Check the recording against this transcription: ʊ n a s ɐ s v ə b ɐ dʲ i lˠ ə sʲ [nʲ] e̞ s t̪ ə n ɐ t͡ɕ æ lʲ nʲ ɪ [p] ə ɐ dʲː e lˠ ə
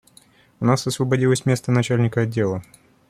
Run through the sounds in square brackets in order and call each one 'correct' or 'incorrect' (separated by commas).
incorrect, incorrect